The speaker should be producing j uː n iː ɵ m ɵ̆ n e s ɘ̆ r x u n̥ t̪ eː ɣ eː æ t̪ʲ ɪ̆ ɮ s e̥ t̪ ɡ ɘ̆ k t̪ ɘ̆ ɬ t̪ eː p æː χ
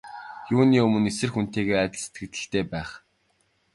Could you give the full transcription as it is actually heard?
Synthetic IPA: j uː n iː ɵ m ɵ̆ n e s ɘ̆ r x u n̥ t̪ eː ɣ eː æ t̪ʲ ɪ̆ ɮ s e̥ t̪ ɡ ɘ̆ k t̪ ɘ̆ ɬ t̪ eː p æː χ